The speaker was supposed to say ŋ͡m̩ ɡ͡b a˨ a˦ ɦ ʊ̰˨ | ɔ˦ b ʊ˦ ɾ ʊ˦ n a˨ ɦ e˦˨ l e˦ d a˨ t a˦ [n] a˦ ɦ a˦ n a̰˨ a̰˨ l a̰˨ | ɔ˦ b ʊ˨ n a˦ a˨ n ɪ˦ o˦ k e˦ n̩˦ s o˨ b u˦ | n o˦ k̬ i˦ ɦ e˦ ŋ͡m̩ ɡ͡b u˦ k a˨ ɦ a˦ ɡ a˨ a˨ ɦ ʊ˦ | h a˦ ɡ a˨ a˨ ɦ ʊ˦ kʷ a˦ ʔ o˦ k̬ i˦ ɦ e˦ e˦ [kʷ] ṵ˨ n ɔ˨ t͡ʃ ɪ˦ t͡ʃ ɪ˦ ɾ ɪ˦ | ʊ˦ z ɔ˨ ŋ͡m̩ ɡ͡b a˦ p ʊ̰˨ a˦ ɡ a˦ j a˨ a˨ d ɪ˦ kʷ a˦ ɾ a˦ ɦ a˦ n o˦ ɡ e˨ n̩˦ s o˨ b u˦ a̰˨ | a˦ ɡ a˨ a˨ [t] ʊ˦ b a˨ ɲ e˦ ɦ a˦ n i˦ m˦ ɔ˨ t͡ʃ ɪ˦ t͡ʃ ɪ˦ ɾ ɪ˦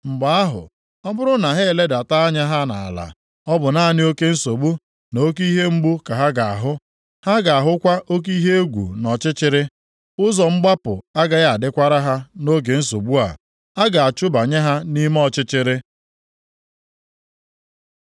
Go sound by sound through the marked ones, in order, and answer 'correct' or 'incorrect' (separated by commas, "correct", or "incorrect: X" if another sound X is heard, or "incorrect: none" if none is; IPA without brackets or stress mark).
incorrect: ɲ, incorrect: ɡʷ, incorrect: t͡ʃ